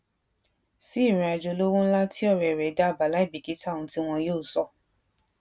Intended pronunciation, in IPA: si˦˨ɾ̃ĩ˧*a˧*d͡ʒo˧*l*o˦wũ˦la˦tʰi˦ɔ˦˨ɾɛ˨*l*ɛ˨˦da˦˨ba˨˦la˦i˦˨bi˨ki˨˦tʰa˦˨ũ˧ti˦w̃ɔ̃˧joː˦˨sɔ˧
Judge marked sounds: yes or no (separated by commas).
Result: yes, yes, no